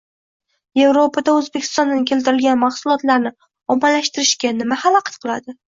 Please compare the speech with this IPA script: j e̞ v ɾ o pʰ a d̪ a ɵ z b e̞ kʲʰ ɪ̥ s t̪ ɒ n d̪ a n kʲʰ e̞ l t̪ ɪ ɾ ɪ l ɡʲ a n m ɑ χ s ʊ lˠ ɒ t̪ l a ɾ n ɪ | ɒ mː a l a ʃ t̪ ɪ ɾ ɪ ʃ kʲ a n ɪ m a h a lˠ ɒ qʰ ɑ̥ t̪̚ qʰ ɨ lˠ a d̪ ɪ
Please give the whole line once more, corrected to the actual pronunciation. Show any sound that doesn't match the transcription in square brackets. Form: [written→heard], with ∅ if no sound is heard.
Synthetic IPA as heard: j e̞ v ɾ o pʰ a d̪ a ɵ z b e̞ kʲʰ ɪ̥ s t̪ ɒ n d̪ a n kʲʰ e̞ l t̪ ɪ ɾ ɪ l ɡʲ a n m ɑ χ s ʊ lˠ ɒ t̪ l a ɾ n ɪ | ɒ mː a l a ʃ t̪ ɪ ɾ ɪ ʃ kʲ a n ɪ m a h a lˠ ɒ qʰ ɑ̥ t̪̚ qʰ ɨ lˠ a d̪ ɪ